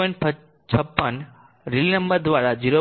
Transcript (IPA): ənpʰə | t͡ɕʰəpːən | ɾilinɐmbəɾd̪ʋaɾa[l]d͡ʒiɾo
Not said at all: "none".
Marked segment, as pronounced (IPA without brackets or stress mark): none